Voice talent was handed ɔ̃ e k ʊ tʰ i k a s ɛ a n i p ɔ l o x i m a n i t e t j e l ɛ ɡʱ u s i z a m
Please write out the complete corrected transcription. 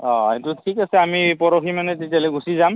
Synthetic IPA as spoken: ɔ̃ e t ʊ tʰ i k a s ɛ a m i p ɔ ɹ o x i m a n ɛ t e t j a l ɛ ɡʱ u s i z a m